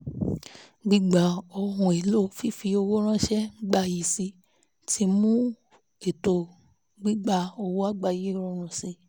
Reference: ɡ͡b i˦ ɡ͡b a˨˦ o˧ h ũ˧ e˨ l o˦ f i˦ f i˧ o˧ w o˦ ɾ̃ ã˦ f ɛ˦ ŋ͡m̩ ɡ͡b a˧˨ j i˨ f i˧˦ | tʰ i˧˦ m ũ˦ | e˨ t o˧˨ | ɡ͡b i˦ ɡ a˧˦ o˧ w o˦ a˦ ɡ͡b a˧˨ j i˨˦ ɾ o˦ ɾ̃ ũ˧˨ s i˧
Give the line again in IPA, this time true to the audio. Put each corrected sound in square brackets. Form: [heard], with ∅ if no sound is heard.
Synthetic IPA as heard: ɡ͡b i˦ ɡ͡b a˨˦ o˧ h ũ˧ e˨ l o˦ f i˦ f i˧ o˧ w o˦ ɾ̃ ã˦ [ʃ] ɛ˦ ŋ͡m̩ ɡ͡b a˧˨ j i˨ [s] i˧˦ | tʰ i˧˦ m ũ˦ | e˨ t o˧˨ | ɡ͡b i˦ [ɡ͡b] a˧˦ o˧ w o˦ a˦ ɡ͡b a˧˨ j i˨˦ ɾ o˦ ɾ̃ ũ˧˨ s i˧